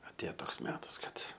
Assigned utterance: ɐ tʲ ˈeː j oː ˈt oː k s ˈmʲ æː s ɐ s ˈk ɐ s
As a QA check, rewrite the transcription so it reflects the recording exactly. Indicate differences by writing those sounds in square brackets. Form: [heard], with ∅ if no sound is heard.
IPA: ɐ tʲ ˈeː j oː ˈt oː k s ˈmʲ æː [t] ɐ s ˈk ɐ [t]